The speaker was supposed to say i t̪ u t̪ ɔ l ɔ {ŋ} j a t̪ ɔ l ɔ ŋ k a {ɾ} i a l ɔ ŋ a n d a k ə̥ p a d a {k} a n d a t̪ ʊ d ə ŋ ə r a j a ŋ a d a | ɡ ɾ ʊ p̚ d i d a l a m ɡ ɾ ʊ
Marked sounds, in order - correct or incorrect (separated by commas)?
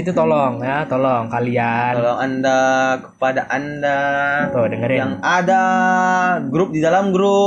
correct, incorrect, incorrect